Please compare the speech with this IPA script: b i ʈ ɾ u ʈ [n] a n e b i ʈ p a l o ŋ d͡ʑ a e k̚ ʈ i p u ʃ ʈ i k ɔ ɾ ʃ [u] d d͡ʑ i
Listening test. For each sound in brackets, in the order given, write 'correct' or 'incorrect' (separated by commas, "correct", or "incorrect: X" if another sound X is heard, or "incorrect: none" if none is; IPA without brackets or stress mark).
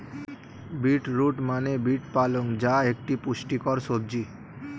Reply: incorrect: m, incorrect: o